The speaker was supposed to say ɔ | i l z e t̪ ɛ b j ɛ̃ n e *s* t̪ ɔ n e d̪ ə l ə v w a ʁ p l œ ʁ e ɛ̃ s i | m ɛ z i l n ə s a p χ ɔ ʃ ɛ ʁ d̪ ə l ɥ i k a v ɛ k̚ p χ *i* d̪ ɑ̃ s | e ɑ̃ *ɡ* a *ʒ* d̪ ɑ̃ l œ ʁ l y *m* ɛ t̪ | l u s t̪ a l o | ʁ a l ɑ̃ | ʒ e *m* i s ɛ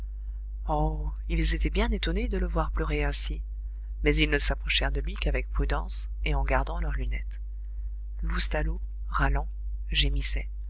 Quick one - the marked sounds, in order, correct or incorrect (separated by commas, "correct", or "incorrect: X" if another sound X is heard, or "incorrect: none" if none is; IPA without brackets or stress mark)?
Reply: incorrect: none, incorrect: y, correct, incorrect: ʁ, incorrect: n, correct